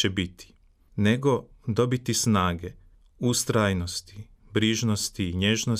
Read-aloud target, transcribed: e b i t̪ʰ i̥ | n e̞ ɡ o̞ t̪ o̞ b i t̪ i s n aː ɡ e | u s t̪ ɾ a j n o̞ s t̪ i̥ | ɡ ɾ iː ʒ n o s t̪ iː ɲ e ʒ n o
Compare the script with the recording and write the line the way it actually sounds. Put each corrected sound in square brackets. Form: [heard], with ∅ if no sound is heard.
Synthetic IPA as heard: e b i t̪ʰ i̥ | n e̞ ɡ o̞ [d̪] o̞ b i t̪ i s n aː ɡ e | u s t̪ ɾ a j n o̞ s t̪ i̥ | [b] ɾ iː ʒ n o s t̪ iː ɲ e ʒ n o